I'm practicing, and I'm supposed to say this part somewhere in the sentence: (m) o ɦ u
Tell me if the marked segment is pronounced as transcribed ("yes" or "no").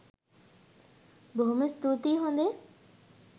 no